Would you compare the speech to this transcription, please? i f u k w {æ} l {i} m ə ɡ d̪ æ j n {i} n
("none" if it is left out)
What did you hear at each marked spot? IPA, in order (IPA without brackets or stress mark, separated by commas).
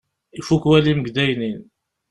æ, i, i